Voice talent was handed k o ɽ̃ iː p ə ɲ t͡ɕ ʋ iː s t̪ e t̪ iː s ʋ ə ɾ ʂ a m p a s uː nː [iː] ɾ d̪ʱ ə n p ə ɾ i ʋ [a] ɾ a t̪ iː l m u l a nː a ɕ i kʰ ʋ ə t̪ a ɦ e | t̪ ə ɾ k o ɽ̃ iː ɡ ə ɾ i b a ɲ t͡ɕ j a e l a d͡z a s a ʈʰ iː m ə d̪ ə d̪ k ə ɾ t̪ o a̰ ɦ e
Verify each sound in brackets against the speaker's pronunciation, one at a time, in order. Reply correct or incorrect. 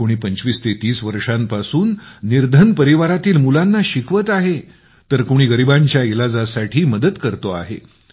incorrect, correct

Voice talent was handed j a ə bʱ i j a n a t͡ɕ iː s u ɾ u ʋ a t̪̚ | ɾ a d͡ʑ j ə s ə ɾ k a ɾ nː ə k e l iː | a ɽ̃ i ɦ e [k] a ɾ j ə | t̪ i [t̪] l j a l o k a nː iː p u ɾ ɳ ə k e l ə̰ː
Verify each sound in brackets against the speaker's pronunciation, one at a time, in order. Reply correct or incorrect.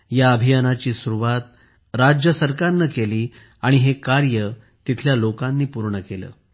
correct, incorrect

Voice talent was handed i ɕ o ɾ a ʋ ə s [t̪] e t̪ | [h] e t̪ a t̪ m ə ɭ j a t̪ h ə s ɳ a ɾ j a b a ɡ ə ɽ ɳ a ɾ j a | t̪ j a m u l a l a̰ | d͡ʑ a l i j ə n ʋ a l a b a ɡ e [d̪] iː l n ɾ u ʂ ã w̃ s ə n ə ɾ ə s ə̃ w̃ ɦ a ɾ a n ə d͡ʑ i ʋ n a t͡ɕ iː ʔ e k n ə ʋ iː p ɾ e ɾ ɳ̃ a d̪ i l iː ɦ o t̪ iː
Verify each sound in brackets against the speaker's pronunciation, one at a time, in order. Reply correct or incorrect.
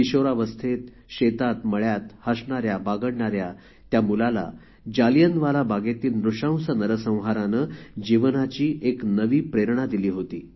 incorrect, incorrect, incorrect

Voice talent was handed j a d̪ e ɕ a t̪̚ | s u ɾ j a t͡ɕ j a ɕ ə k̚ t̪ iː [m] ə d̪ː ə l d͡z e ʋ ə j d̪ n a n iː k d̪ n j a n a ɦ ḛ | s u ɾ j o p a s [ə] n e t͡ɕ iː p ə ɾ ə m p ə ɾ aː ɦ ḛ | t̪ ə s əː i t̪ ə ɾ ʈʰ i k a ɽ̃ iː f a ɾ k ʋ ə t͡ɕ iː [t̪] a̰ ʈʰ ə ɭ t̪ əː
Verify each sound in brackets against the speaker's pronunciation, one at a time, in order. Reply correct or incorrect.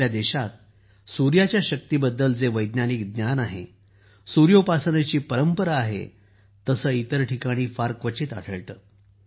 incorrect, correct, correct

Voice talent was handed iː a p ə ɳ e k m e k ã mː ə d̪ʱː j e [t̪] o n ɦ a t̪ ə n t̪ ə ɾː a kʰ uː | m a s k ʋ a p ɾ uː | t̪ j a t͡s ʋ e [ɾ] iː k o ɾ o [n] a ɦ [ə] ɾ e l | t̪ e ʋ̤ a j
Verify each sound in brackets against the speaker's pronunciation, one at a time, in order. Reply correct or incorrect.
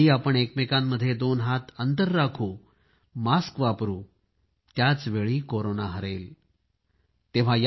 incorrect, incorrect, correct, correct

